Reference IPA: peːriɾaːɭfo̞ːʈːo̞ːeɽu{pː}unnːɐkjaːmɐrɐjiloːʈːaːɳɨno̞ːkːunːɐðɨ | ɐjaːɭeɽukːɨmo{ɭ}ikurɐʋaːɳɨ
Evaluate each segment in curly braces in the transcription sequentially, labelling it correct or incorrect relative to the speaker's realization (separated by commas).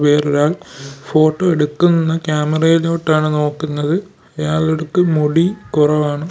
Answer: incorrect, incorrect